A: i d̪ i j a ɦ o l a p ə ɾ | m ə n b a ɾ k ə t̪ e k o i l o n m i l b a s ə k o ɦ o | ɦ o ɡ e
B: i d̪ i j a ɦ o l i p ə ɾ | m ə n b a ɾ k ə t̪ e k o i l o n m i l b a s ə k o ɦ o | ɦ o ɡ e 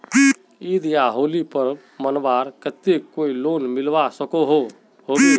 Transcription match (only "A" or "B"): B